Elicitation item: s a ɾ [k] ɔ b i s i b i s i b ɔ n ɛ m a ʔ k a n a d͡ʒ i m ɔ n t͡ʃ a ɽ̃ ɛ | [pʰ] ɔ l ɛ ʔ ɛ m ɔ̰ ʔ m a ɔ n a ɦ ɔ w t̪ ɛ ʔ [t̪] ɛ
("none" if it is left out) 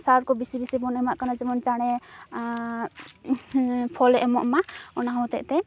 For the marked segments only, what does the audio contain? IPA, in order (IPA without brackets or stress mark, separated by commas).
k, pʰ, t̪